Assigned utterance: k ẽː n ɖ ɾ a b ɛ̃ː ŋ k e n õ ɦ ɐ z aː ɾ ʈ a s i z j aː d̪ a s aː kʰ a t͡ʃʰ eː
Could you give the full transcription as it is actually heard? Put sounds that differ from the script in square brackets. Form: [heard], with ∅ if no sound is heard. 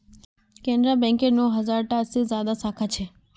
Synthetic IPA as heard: k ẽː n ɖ ɾ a b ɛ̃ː ŋ k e n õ ɦ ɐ z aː ɾ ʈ a s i z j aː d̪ a s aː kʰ a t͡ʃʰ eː